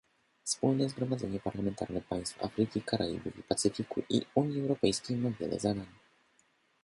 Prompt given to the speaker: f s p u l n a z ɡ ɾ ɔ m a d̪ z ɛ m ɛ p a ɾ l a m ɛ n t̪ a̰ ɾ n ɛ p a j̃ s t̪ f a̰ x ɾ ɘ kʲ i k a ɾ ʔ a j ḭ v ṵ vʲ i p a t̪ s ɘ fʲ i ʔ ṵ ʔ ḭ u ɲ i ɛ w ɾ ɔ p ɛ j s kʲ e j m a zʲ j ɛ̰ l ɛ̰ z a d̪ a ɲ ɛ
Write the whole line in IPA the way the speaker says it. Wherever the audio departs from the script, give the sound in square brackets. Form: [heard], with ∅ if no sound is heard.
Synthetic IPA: f s p u l n [ɛ] z ɡ ɾ ɔ m a d̪ z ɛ [ɲ] ɛ p a ɾ l a m ɛ n t̪ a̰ ɾ n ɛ p a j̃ s t̪ f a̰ [f] ɾ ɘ kʲ i k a ɾ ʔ a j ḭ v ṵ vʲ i p a t̪ s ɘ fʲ i [k] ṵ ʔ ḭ u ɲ i ɛ w ɾ ɔ p ɛ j s kʲ e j m a [vʲ] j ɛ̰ l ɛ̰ z a d̪ a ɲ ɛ